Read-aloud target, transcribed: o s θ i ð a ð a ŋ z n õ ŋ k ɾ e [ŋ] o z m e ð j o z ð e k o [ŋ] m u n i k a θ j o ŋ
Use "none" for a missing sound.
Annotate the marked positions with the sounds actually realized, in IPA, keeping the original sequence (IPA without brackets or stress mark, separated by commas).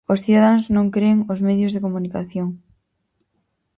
ŋ, none